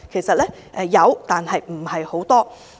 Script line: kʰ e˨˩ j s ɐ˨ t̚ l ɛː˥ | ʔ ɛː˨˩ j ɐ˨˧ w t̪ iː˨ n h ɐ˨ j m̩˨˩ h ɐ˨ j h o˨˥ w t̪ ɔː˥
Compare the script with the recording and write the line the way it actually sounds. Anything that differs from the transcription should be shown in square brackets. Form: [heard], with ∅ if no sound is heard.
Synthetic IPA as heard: kʰ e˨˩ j s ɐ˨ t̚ l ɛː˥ | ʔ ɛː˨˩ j ɐ˨˧ w t̪ [aː˨] n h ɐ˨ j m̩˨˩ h ɐ˨ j h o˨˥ w t̪ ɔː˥